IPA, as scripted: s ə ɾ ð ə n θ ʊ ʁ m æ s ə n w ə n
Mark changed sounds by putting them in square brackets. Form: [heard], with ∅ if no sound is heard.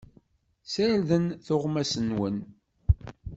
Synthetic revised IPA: s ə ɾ ð ə n θ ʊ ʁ m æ s ə n w ə n